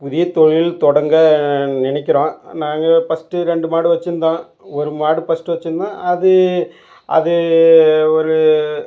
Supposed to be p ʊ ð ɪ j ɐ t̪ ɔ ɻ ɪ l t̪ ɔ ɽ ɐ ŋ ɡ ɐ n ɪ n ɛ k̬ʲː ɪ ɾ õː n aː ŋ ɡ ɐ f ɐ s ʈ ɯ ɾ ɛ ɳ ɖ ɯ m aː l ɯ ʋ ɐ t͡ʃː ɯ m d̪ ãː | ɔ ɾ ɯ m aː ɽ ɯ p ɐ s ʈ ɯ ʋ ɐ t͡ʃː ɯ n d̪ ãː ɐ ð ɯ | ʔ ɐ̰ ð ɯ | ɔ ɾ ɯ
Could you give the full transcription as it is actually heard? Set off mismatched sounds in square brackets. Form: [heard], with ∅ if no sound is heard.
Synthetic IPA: p ʊ ð ɪ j ɐ t̪ ɔ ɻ ɪ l t̪ ɔ ɽ ɐ ŋ ɡ ɐ n ɪ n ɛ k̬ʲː ɪ ɾ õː n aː ŋ ɡ ɐ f ɐ s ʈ ɯ ɾ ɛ ɳ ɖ ɯ m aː [ɽ] ɯ ʋ ɐ t͡ʃː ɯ [n] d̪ ãː | ɔ ɾ ɯ m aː ɽ ɯ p ɐ s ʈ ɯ ʋ ɐ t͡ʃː ɯ n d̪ ãː ɐ ð ɯ | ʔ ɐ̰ ð ɯ | ɔ ɾ ɯ

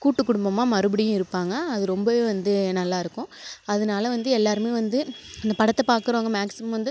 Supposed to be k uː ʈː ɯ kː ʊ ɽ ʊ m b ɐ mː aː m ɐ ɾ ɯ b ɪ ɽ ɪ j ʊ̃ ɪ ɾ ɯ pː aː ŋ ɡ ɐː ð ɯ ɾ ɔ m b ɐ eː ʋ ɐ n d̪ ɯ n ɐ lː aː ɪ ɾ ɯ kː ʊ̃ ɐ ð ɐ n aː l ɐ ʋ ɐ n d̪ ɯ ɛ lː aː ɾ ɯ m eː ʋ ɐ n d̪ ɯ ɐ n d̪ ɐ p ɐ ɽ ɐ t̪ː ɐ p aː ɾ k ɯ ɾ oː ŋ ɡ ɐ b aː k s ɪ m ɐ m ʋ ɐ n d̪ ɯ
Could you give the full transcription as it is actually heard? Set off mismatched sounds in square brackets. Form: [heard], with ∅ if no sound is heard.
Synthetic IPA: k uː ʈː ɯ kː ʊ ɽ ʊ m b ɐ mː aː m ɐ ɾ ɯ b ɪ ɽ ɪ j ʊ̃ ɪ ɾ ɯ pː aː ŋ ɡ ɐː ð ɯ ɾ ɔ m b ɐ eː ʋ ɐ n d̪ ɯ n ɐ lː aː ɪ ɾ ɯ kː ʊ̃ ɐ ð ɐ n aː l ɐ ʋ ɐ n d̪ ɯ ɛ lː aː ɾ ɯ m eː ʋ ɐ n d̪ ɯ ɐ n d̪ ɐ p ɐ ɽ ɐ t̪ː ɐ p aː ɾ k ɯ ɾ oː ŋ ɡ ɐ [m] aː k s ɪ m ɐ m ʋ ɐ n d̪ ɯ

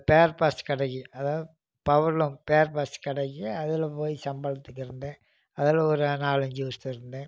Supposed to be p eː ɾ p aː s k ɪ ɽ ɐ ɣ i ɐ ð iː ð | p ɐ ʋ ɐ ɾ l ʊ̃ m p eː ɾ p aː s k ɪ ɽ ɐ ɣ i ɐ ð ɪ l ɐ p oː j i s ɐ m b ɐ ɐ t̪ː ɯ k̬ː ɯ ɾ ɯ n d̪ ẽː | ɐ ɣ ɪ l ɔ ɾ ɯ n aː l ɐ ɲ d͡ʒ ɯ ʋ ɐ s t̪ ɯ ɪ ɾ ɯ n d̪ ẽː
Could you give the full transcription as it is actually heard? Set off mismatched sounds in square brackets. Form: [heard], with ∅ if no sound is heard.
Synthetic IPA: p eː ɾ p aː s k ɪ ɽ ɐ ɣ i ɐ ð [aː] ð | p ɐ ʋ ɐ ɾ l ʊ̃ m p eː ɾ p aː s k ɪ ɽ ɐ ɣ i ɐ ð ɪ l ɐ p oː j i s ɐ m b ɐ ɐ t̪ː ɯ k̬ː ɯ ɾ ɯ n d̪ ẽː | ɐ [ð] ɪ l ɔ ɾ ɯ n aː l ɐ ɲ d͡ʒ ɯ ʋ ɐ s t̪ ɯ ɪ ɾ ɯ n d̪ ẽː

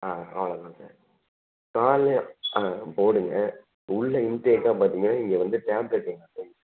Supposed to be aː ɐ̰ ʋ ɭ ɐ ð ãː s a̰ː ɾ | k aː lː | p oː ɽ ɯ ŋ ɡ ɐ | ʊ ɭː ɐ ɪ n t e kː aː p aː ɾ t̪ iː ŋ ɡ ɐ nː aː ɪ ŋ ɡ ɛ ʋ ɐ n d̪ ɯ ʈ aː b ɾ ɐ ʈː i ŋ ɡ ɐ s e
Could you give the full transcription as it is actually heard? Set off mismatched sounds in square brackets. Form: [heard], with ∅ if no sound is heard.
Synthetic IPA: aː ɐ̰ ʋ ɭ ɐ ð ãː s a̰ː ɾ | k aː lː | p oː ɽ ɯ ŋ ɡ ɐ | ʊ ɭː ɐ ɪ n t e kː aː p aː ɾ t̪ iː ŋ ɡ ɐ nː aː ɪ ŋ ɡ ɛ ʋ ɐ n d̪ ɯ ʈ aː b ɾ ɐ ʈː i ŋ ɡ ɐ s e

